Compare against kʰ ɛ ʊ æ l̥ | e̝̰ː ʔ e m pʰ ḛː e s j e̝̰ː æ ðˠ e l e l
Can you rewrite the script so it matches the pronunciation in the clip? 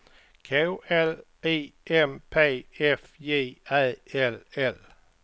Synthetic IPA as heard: kʰ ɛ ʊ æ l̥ | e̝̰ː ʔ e m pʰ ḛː e f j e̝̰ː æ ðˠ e l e l

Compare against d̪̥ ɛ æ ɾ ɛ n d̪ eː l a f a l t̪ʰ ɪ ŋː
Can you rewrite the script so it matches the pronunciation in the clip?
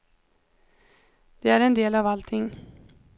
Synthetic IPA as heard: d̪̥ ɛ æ ɾ ɛ n d̪ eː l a v a l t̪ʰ ɪ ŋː

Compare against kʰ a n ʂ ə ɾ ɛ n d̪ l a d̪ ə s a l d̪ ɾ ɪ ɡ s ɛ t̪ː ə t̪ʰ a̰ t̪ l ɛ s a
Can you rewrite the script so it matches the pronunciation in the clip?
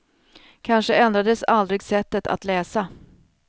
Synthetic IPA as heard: kʰ a n ʂ ə ɛ n d̪ ɾ a d̪ ə s a l d̪ ɾ ɪ ɡ s ɛ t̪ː ə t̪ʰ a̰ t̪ l ɛː s a

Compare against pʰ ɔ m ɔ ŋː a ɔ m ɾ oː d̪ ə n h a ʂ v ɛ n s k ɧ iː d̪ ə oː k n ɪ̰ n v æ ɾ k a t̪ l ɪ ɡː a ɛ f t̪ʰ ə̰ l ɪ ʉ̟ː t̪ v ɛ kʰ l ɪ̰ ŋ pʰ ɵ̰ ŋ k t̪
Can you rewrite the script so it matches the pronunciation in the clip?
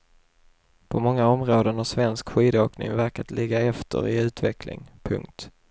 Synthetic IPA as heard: pʰ ɔ m ɔ ŋː a ɔ m ɾ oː d̪ ə n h a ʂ v ɛ n s k ɧ iː d̪ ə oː k n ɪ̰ ŋ v æ ɾ k a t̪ l ɪ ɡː a ɛ f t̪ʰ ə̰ ɾ ɪ ʉ̟ː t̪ v ɛ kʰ l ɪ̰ ŋ pʰ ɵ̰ ŋ k t̪

